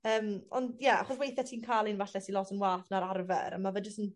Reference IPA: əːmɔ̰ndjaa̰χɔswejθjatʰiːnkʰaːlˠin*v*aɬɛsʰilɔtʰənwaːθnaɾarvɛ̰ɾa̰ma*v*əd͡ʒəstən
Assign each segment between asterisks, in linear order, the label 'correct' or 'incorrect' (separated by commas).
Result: correct, correct